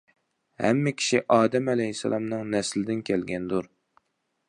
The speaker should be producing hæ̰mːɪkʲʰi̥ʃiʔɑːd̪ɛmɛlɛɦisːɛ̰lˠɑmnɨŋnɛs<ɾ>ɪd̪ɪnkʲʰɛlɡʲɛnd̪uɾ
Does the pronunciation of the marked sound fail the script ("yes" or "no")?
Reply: yes